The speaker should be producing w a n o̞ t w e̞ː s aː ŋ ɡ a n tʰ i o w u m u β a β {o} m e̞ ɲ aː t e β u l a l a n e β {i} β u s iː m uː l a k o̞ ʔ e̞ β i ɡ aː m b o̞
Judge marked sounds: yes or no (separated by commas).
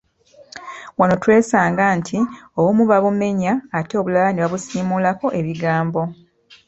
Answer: no, no